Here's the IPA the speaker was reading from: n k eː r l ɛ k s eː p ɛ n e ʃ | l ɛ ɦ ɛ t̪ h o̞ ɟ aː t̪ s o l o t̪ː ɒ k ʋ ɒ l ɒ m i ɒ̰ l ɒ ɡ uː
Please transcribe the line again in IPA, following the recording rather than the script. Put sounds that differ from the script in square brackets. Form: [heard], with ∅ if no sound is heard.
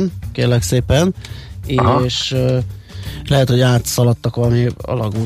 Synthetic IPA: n k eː r l ɛ k s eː p ɛ n e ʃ | l ɛ ɦ ɛ t̪ h o̞ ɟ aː t̪ s [ɒ] l [ɒ] t̪ː ɒ k ʋ ɒ l ɒ m i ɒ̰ l ɒ ɡ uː